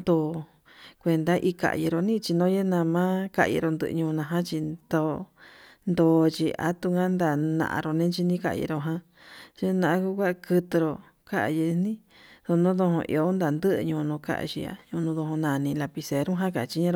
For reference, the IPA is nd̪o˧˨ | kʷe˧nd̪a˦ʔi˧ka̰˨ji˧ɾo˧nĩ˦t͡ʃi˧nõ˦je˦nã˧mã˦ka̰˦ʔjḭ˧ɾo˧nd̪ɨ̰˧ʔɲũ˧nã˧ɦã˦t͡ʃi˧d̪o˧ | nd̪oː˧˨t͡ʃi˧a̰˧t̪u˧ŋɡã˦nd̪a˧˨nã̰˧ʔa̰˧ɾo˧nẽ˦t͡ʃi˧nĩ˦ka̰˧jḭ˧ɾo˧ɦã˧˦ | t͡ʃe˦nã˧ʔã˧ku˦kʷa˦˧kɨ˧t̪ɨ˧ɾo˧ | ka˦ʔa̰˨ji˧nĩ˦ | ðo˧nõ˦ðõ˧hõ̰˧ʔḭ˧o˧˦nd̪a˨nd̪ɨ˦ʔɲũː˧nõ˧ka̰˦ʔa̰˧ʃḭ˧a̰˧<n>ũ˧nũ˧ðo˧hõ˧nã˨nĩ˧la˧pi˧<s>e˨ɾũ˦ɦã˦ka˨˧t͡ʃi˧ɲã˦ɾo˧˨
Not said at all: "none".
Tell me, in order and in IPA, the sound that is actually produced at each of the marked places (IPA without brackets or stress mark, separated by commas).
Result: ɲ, s